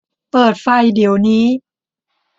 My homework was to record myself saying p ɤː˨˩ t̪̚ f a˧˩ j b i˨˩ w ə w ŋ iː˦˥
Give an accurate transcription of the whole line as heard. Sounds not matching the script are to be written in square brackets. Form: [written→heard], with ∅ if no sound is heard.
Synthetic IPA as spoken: p ɤː˨˩ t̪̚ f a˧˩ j [b→d] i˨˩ [w→∅] ə w [ŋ→n] iː˦˥